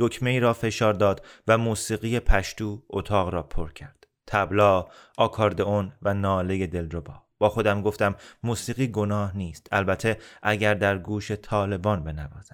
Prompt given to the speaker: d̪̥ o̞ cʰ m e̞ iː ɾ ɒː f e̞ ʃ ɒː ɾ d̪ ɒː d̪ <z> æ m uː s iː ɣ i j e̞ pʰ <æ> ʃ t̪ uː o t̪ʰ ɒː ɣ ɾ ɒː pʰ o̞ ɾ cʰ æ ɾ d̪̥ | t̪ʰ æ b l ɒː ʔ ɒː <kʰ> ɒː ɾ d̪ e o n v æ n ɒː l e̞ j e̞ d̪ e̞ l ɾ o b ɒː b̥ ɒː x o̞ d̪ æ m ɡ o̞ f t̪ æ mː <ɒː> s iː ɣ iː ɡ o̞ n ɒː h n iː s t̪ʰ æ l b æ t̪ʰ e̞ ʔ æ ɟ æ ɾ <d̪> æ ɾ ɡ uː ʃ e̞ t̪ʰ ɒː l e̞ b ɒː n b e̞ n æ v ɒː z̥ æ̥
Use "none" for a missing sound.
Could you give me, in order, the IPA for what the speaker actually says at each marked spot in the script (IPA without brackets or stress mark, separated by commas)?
v, æ, kʰ, uː, d̪